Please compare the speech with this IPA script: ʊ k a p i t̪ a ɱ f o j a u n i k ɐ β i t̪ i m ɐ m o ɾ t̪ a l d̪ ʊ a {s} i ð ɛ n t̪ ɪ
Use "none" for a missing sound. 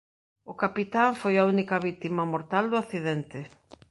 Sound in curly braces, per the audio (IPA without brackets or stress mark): θ